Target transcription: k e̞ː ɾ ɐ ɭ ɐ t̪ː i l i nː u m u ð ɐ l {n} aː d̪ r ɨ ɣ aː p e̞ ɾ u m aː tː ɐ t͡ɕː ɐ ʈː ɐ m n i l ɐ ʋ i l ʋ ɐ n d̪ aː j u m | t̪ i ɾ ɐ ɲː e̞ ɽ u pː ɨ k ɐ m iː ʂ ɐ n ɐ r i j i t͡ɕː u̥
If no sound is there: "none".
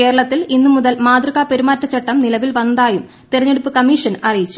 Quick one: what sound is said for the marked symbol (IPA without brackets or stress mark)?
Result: m